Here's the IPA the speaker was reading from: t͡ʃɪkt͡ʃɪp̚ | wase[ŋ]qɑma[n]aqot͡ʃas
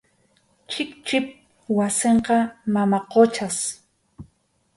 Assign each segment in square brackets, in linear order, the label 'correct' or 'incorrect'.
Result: incorrect: ɴ, incorrect: m

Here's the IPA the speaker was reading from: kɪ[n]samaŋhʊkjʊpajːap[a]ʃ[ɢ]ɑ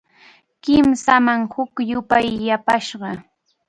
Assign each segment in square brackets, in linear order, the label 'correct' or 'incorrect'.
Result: incorrect: m, correct, correct

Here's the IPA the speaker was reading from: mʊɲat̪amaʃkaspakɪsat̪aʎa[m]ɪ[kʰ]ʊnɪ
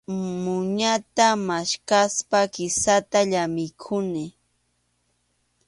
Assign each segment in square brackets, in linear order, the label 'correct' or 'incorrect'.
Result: correct, correct

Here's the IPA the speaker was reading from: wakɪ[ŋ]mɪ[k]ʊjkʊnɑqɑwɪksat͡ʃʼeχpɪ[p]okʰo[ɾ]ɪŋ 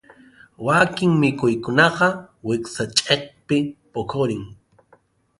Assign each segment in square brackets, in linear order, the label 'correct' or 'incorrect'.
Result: correct, correct, correct, correct

